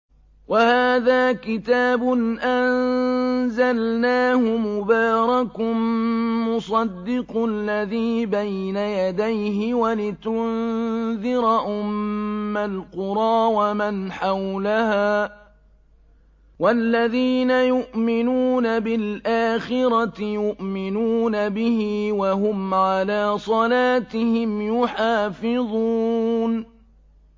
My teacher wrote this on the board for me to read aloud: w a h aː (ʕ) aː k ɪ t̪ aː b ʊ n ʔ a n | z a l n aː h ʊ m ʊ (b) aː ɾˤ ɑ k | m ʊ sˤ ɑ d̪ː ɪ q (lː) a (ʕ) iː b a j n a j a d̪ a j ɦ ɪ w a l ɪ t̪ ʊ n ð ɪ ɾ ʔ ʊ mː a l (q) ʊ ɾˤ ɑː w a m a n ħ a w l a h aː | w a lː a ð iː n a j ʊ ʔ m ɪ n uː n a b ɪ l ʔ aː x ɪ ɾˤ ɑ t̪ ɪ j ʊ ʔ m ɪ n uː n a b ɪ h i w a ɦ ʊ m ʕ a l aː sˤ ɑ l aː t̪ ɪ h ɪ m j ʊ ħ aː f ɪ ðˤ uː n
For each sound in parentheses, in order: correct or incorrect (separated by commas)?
incorrect, correct, correct, incorrect, correct